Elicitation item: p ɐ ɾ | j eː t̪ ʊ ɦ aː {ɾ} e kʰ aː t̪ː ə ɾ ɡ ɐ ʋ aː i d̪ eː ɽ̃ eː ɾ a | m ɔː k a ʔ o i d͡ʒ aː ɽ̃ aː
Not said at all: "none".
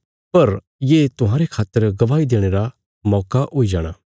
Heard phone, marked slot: ɾ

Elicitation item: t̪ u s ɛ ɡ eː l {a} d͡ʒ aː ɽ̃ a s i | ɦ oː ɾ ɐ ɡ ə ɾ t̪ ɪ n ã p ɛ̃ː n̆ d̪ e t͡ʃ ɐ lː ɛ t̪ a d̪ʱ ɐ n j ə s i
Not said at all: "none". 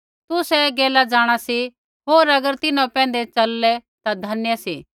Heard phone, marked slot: a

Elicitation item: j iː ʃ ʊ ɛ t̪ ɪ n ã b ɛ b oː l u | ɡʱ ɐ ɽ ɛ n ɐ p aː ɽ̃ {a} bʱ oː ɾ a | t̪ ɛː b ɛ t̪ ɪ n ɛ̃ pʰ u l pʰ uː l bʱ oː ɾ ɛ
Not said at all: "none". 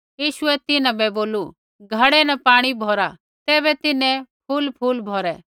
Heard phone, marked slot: i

